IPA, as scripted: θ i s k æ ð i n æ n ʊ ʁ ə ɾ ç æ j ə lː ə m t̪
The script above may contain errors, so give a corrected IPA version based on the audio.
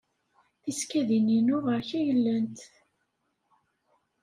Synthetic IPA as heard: θ i s k æ ð i n i n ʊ ʁ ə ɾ ç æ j ə lː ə n t̪

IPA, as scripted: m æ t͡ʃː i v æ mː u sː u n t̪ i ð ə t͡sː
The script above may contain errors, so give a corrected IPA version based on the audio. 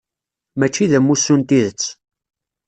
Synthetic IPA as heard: m æ t͡ʃː i ð æ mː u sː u n t̪ i ð ə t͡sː

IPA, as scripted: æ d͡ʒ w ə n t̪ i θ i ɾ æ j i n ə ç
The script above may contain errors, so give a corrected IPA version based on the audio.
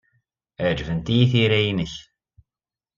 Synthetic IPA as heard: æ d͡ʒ v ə n t̪ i θ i ɾ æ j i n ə ç

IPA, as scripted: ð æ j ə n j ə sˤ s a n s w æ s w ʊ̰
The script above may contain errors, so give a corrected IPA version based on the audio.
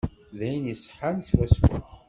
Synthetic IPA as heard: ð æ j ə n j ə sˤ ħ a n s w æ s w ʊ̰

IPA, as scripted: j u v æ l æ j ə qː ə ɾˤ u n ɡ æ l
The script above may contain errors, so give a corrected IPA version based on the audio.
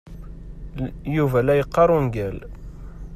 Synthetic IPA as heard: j u v æ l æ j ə qː ɑ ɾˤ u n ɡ æ l

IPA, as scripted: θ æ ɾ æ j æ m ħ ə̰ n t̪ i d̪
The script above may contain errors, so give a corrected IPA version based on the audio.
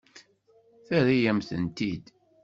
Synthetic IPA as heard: θ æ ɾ i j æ m θ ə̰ n t̪ i d̪

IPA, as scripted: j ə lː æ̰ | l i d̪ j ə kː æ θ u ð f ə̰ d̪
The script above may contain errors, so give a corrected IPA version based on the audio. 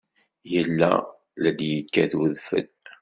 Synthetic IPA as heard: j ə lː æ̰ | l æ d̪ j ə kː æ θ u ð f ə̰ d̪

